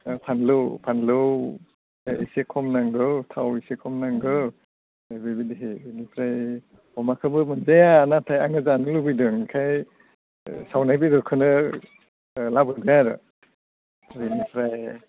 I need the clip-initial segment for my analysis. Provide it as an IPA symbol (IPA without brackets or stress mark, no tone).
pʰ